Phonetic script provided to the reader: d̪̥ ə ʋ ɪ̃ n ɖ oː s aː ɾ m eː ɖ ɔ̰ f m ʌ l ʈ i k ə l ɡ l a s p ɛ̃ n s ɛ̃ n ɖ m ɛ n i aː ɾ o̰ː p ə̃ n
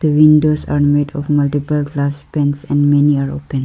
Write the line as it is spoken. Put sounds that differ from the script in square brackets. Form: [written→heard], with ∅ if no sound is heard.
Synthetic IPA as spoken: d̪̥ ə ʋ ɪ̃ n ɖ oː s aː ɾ m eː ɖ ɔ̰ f m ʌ l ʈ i [k→p] ə l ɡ l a s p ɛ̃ n s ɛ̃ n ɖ m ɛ n i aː ɾ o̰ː p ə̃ n

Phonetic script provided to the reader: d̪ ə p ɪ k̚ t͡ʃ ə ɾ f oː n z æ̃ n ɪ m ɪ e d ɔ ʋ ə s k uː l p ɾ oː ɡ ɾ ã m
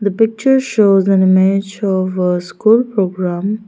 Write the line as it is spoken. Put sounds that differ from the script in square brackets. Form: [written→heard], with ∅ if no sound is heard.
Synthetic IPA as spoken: d̪ ə p ɪ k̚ t͡ʃ ə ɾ [f→ʃ] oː [n→∅] z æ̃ n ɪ m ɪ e [d→d͡ʒ] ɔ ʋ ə s k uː l p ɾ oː ɡ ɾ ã m

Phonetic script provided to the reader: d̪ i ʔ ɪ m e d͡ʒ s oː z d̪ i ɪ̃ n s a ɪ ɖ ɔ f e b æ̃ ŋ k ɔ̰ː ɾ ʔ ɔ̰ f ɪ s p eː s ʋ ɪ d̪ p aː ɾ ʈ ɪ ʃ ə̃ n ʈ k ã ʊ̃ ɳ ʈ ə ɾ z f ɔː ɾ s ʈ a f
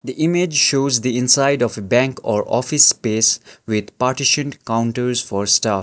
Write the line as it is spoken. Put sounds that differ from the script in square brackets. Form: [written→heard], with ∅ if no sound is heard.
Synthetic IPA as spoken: d̪ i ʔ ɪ m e d͡ʒ [s→ʃ] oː z d̪ i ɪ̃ n s a ɪ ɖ ɔ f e b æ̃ ŋ k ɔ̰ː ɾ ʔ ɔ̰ f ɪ s p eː s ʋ ɪ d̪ p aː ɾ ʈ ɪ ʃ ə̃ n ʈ k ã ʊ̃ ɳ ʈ ə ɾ z f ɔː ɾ s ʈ a f

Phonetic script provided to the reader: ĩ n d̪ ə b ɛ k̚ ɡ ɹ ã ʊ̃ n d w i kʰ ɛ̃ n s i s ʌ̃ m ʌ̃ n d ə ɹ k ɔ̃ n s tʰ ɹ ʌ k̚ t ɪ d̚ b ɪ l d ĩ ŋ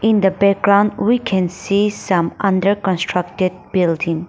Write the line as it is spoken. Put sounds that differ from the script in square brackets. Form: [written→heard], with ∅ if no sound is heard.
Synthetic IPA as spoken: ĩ n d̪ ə b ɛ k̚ ɡ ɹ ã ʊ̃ n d w i kʰ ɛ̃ n s i s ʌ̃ m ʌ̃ n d ə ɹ k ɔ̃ n s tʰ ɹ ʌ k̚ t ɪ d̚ b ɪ l d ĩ ŋ

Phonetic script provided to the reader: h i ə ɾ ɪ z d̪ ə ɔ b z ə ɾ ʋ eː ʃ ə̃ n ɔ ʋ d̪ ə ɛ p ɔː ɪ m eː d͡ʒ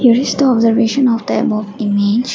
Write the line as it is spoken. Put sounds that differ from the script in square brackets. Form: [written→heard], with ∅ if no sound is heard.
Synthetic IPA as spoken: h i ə ɾ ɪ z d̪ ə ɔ b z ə ɾ ʋ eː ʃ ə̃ n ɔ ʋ d̪ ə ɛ [p→b] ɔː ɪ m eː d͡ʒ

